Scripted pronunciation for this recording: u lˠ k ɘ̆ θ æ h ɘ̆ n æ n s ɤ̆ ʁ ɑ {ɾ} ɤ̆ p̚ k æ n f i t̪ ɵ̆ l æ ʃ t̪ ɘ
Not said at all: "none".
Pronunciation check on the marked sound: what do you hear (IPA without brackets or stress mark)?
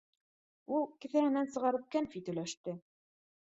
ɾ